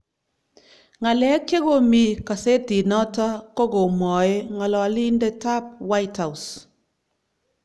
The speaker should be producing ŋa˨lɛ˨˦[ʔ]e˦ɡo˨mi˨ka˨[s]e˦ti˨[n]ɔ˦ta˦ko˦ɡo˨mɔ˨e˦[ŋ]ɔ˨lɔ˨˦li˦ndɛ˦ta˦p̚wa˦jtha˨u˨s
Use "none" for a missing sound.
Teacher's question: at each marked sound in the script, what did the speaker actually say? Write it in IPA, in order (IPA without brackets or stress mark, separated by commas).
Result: k, s, n, ŋ